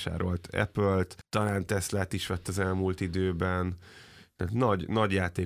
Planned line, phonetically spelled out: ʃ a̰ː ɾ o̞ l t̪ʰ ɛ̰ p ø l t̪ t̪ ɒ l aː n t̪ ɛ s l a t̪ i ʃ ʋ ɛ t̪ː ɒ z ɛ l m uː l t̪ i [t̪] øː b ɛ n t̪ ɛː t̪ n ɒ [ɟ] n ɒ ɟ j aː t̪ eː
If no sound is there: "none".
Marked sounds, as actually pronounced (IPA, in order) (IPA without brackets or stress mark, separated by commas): d̪, ɟ